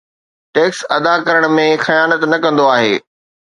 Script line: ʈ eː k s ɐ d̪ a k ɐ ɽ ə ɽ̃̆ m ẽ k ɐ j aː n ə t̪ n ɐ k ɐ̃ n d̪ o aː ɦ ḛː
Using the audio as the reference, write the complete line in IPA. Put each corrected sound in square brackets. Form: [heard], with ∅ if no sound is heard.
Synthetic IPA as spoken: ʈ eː k s ɐ d̪ a k ɐ [ɾ] ə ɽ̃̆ m ẽ [x] ɐ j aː n ə t̪ n ɐ k ɐ̃ n d̪ o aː ɦ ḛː